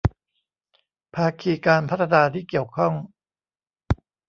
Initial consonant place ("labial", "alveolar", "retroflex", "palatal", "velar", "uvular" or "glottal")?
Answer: labial